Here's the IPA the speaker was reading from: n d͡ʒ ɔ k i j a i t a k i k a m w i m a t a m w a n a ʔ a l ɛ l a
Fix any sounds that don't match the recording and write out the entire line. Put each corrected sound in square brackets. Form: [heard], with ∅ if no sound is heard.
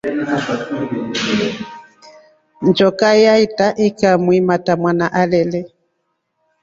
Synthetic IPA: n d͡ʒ ɔ k [a] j a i t a [ʔ] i k a m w i m a t a m w a n a ʔ a l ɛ l [ɛ]